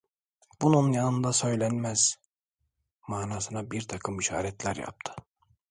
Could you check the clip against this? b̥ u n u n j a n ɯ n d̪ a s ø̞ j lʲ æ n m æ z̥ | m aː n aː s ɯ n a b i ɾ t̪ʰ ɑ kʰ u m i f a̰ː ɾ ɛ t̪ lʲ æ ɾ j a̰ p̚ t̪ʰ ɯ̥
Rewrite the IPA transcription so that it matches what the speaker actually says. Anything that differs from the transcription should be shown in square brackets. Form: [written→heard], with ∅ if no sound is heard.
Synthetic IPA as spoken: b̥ u n u n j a n ɯ n d̪ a s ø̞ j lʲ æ n m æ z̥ | m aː n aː s ɯ n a b i ɾ t̪ʰ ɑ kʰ [u→ɯ] m i [f→ʃ] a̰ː ɾ ɛ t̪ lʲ æ ɾ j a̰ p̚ t̪ʰ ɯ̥

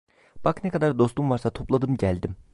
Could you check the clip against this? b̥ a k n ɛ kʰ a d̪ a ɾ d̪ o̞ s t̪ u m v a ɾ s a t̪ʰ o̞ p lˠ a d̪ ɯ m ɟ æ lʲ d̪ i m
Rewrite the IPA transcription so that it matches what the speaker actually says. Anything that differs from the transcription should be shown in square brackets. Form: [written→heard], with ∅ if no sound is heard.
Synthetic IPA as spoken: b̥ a k n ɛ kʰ a d̪ a ɾ d̪ o̞ s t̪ u m v a ɾ s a t̪ʰ o̞ p lˠ a d̪ ɯ m ɟ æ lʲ d̪ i m

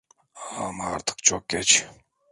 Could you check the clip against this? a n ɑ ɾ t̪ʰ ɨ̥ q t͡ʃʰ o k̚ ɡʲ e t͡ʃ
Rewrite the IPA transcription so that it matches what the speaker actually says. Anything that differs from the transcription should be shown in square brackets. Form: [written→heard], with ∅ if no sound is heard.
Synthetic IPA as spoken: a [n→m] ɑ ɾ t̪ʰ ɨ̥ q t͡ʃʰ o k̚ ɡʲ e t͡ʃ

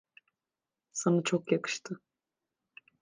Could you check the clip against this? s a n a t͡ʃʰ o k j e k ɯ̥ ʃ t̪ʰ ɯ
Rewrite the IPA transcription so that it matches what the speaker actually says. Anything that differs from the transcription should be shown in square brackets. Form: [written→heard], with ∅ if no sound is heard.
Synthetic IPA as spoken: s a n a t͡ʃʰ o k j [e→a] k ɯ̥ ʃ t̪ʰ ɯ

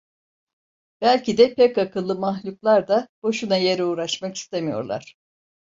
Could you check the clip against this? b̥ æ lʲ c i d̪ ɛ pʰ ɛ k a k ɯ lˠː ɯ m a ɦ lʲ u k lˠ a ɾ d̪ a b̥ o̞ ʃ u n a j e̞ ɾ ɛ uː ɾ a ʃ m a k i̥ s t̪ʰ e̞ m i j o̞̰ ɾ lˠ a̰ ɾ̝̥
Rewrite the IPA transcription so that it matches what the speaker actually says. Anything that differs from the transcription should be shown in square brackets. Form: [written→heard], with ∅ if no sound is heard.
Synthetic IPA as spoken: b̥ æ lʲ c i d̪ ɛ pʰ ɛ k a k ɯ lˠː ɯ m a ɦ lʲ u k lˠ a ɾ d̪ a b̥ o̞ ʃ u n a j e̞ ɾ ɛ uː ɾ a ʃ m a k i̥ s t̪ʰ e̞ m i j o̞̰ ɾ lˠ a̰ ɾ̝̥

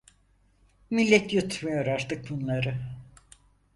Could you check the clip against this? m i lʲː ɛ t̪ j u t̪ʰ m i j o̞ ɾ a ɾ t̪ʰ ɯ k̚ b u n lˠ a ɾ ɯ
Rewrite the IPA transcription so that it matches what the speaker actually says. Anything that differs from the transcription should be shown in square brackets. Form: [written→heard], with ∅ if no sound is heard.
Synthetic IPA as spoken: m i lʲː ɛ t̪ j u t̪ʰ m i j o̞ ɾ a ɾ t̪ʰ ɯ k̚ b u n lˠ a ɾ ɯ

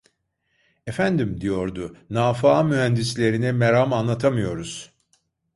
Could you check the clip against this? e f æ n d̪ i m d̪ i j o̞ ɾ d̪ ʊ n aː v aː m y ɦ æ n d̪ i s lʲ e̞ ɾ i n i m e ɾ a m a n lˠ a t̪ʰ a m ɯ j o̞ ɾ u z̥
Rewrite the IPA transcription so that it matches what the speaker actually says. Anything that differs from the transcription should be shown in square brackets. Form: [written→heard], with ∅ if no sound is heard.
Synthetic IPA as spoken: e f æ n d̪ i m d̪ i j o̞ ɾ d̪ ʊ n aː [v→f] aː m y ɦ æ n d̪ i s lʲ e̞ ɾ i n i m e ɾ a m a n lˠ a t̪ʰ a m ɯ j o̞ ɾ u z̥

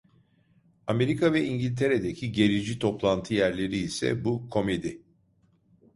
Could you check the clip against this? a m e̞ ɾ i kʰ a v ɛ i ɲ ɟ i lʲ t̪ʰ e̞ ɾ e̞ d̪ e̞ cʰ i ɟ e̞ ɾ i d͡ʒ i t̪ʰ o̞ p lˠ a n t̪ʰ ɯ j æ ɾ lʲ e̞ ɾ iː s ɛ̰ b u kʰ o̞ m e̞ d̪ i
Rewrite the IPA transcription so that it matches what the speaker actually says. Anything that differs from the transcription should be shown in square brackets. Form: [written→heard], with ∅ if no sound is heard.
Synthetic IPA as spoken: a m e̞ ɾ i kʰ a v ɛ i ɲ ɟ i lʲ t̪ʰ e̞ ɾ e̞ d̪ e̞ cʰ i ɟ e̞ ɾ i d͡ʒ i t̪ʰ o̞ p lˠ a n t̪ʰ ɯ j æ ɾ lʲ e̞ ɾ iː s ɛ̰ b u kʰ o̞ m e̞ d̪ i

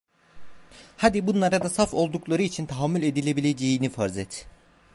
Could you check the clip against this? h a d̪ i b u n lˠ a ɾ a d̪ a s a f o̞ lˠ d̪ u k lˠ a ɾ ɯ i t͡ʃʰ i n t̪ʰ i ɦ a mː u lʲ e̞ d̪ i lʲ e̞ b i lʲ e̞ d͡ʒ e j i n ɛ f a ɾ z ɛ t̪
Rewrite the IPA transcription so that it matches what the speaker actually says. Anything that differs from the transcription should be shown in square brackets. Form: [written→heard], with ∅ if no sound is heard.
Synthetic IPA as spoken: h a d̪ i b u n lˠ a ɾ a d̪ a s a f o̞ lˠ d̪ u k lˠ a ɾ ɯ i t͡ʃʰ i n t̪ʰ [i→a] ɦ a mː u lʲ e̞ d̪ i lʲ e̞ b i lʲ e̞ d͡ʒ e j i n [ɛ→i] f a ɾ z ɛ t̪

